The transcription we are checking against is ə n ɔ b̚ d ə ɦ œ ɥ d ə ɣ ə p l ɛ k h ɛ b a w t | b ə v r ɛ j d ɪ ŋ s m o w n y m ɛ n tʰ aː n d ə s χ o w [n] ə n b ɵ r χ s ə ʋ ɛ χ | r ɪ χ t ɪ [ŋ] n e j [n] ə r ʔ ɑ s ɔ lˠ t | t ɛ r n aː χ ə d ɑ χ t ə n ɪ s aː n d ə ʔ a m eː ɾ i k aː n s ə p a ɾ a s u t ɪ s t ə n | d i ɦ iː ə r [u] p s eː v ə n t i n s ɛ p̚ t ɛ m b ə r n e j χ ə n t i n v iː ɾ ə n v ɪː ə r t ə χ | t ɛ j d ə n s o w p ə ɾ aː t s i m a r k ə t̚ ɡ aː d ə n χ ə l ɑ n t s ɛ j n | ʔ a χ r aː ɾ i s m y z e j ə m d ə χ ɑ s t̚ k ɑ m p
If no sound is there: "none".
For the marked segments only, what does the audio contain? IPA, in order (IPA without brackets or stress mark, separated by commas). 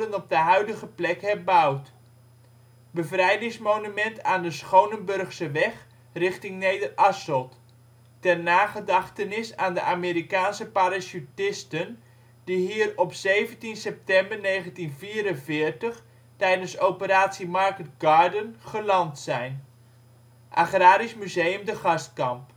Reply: n, ŋ, d, ɔ